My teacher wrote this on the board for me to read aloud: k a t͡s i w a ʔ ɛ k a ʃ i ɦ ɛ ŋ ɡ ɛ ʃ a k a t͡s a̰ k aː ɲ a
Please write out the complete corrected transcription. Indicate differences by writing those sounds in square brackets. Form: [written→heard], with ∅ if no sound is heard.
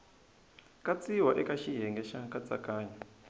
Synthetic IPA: k a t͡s i w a ʔ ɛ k a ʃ i ɦ ɛ ŋ ɡ ɛ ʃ a k a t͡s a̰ k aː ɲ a